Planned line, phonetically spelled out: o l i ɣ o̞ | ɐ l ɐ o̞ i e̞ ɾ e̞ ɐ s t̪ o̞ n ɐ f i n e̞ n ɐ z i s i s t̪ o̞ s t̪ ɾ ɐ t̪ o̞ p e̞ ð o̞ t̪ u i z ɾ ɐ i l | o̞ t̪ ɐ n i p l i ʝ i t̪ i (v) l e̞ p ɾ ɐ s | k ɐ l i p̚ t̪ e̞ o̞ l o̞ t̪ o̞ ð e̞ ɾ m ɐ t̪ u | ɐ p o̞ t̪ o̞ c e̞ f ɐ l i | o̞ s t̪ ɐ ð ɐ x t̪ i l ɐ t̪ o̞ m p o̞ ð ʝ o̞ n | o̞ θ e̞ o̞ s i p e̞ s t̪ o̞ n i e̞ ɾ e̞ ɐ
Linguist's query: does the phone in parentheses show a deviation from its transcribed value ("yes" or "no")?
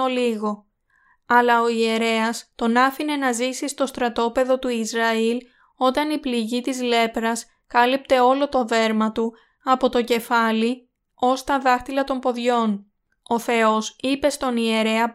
yes